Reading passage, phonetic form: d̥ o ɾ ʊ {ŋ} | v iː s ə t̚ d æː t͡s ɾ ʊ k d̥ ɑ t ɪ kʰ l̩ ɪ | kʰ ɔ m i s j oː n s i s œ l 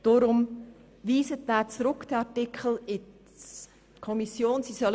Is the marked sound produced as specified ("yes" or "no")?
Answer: no